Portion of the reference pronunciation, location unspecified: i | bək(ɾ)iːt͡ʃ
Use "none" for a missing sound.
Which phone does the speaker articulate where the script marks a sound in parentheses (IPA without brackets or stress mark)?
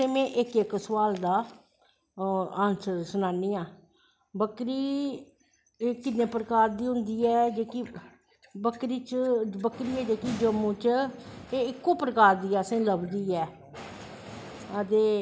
ɾ